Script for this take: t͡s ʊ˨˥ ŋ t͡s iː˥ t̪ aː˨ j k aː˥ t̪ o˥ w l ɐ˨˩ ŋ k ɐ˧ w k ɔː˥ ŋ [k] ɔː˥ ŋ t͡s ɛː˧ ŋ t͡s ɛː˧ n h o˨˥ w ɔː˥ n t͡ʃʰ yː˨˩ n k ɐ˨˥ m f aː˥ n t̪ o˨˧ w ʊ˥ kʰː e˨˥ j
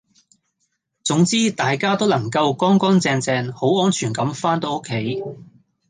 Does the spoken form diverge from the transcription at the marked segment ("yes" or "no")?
no